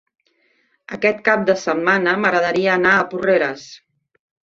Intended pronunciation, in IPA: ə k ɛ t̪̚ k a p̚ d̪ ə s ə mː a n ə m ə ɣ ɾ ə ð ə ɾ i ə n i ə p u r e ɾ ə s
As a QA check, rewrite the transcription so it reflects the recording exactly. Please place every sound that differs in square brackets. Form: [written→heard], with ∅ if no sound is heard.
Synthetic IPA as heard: ə k ɛ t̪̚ k a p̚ d̪ ə s ə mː a n ə m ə ɣ ɾ ə ð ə ɾ i [ə→əː] n [i→a] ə p u r e ɾ ə s

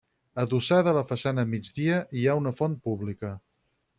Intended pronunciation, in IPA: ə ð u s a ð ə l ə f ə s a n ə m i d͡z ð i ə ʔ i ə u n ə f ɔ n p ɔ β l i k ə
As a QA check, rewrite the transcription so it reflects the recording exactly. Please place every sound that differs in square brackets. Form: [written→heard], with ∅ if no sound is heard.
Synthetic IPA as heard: ə ð u s a ð ə l ə f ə s a n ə m i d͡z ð i ə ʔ i [ə→a] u n ə f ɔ n p [ɔ→u] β l i k ə

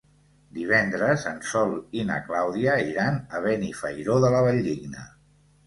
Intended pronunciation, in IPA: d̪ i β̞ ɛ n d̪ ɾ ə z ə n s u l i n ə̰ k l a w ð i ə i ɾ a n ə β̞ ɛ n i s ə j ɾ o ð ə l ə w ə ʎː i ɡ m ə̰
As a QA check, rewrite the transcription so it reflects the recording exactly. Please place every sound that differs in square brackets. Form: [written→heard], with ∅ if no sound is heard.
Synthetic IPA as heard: d̪ i β̞ ɛ n d̪ ɾ ə z ə n s [u→ɔ] l i n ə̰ k l a w ð i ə i ɾ a n ə β̞ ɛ n i [s→f] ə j ɾ o ð ə l ə [w→β] ə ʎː i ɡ [m→n] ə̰

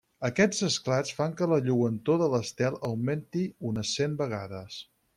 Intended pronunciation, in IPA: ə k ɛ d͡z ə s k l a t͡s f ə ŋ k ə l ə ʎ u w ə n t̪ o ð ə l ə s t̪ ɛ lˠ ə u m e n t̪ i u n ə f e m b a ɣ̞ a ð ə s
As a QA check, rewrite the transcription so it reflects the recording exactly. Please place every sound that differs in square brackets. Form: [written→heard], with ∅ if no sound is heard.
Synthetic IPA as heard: ə k ɛ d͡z ə s k l a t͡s f [ə→a] ŋ k ə l ə ʎ u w ə n t̪ o ð ə l ə s t̪ ɛ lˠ ə [u→w] m e n t̪ i u n ə [f→s] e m b [a→ə] ɣ̞ a ð ə s

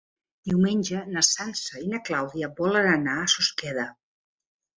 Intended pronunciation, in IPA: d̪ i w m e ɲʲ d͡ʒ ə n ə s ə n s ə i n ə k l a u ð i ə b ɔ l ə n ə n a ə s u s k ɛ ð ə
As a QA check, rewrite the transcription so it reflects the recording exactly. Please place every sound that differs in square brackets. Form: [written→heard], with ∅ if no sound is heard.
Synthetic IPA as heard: d̪ i w m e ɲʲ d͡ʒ ə n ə s [ə→a] n s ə i n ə k l a [u→w] ð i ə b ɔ l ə n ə n a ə s u s k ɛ ð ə

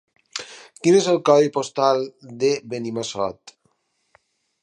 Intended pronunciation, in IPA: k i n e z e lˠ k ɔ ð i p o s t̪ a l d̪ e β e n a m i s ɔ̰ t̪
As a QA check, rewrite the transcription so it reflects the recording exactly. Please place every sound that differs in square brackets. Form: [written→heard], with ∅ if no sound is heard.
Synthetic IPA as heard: k i n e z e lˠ k ɔ ð i p o s t̪ a l d̪ e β e n [a→i] m [i→a] s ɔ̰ t̪

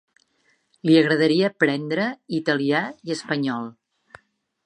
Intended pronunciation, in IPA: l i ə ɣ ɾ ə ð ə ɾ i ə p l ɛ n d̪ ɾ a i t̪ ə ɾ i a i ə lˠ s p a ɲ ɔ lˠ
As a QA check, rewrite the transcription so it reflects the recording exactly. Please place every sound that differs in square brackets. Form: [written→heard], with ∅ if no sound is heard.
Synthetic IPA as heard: l i ə ɣ ɾ ə ð ə ɾ i ə p [l→ɾ] ɛ n d̪ ɾ [a→ə] i t̪ ə [ɾ→l] i a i ə [lˠ→∅] s p [a→ə] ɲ ɔ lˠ

